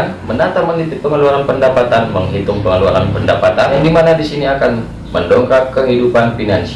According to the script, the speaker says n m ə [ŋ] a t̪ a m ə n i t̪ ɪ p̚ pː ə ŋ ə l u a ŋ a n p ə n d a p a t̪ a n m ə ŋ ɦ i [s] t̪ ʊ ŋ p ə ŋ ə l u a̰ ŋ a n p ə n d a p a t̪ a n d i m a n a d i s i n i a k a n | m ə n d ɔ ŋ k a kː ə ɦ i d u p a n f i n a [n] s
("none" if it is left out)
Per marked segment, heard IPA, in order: n, none, n

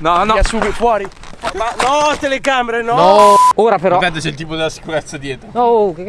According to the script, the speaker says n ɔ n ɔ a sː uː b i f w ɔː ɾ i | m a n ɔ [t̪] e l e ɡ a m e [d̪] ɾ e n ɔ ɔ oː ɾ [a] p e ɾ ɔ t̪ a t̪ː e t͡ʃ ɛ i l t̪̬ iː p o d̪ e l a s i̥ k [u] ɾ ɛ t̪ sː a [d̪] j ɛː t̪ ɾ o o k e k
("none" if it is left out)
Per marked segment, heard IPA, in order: t̪, none, a, u, d̪

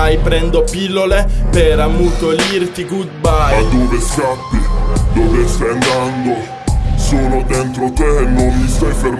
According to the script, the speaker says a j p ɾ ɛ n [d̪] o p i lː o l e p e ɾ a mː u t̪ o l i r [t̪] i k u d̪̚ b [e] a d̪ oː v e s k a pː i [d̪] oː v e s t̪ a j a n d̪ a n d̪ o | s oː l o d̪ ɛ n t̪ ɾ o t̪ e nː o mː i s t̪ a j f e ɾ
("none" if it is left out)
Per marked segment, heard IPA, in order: d̪, t̪, a, d̪

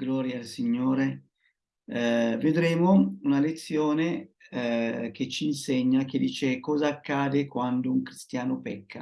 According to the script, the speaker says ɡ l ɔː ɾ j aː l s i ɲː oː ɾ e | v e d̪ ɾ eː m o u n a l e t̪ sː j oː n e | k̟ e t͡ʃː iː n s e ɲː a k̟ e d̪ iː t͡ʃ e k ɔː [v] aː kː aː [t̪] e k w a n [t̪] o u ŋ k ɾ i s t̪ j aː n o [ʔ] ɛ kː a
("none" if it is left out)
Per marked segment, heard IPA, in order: z, d̪, d̪, p

